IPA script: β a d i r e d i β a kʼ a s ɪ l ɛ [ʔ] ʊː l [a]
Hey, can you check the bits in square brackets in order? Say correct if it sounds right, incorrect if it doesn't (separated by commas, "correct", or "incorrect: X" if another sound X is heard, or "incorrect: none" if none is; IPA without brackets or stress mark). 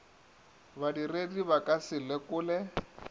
incorrect: k, incorrect: ɛ